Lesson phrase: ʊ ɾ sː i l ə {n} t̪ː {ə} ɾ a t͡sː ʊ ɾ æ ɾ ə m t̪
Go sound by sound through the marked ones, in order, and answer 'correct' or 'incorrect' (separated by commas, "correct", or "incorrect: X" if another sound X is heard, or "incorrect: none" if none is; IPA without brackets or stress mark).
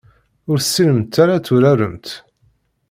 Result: incorrect: m, incorrect: a